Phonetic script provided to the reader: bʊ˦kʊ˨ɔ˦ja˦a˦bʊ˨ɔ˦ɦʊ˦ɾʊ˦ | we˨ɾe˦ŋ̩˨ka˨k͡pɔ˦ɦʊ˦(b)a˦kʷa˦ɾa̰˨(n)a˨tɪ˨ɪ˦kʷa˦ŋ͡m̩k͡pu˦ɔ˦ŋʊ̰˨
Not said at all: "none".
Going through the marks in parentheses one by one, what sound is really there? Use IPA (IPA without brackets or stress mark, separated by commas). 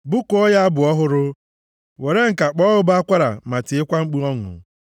b, m